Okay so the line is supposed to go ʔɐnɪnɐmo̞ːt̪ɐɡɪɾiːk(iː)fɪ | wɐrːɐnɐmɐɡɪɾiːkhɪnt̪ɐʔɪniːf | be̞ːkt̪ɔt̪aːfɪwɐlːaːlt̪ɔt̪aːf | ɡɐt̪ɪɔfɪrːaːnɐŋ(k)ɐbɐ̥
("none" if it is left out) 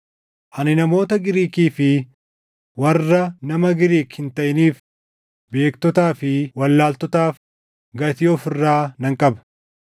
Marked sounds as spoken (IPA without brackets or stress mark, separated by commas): iː, kʼ